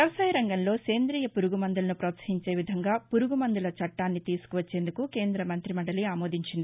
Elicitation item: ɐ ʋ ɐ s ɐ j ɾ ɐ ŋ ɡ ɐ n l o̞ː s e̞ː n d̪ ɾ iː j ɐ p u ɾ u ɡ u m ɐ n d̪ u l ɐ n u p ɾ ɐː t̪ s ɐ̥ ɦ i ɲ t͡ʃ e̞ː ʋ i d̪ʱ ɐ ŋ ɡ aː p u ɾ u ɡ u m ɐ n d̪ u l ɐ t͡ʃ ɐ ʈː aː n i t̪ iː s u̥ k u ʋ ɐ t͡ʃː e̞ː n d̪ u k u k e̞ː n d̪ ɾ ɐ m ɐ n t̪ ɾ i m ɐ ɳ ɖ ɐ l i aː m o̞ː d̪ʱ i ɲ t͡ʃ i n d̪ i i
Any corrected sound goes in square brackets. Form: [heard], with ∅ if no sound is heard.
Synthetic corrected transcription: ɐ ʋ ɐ s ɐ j ɾ ɐ ŋ ɡ ɐ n l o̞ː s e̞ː n d̪ ɾ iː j ɐ p u ɾ u ɡ u m ɐ n d̪ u l ɐ n u p ɾ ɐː t̪ s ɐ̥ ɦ i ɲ t͡ʃ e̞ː ʋ i d̪ʱ ɐ ŋ ɡ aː p u ɾ u ɡ u m ɐ n d̪ u l ɐ t͡ʃ ɐ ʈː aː [nː] i t̪ iː s u̥ k u ʋ ɐ t͡ʃː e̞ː n d̪ u k u k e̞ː n d̪ ɾ ɐ m ɐ n t̪ ɾ i m ɐ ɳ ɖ ɐ l i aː m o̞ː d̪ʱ i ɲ t͡ʃ i n d̪ i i